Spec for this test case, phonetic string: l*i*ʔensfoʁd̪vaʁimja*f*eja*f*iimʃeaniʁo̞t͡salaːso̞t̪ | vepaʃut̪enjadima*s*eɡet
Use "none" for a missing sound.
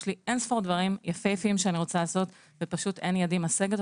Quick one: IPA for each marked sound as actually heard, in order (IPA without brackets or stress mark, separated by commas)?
i, f, f, s